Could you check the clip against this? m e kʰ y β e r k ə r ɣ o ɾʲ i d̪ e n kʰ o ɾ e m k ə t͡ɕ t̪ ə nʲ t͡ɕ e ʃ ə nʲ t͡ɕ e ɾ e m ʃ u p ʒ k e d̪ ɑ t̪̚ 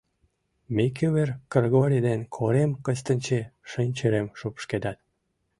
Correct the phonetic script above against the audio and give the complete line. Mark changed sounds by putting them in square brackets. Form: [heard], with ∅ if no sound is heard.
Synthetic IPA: m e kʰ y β e r k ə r ɣ o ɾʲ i d̪ e n kʰ o ɾ e m k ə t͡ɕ t̪ ə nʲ t͡ɕ e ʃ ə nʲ t͡ɕ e ɾ e m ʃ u p [ʃ] k e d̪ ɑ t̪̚